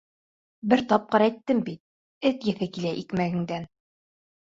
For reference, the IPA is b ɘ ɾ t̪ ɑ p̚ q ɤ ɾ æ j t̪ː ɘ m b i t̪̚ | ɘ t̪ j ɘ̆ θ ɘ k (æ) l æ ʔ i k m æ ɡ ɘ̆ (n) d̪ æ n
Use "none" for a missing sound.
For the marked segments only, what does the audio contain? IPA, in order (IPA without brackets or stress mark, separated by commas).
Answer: i, ŋ